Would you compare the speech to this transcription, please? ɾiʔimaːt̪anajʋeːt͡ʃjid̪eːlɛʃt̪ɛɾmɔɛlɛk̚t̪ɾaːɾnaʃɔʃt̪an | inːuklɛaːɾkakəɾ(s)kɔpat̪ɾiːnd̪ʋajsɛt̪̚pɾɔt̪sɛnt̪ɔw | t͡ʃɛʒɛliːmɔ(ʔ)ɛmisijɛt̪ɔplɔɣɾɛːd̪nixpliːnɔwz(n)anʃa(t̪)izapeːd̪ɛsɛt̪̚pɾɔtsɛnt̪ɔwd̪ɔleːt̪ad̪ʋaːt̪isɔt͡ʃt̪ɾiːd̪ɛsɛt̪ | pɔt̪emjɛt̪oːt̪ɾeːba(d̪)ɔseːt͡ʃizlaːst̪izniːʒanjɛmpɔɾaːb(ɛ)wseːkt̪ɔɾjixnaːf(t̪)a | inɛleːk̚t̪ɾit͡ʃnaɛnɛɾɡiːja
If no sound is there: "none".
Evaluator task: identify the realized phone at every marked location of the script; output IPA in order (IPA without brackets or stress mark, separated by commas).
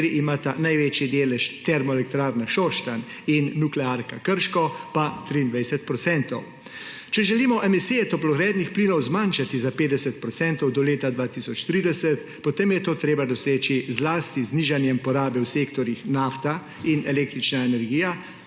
ʃ, ʔ, m, t̪, d̪, ɛ, t̪